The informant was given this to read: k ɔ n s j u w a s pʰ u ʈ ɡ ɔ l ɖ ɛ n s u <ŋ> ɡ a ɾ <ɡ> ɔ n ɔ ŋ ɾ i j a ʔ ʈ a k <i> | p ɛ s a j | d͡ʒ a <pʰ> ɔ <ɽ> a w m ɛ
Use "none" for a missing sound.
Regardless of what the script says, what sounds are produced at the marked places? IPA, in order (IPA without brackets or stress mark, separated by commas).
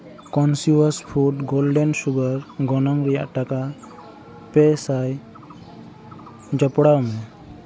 none, ɡ, a, p, ɽ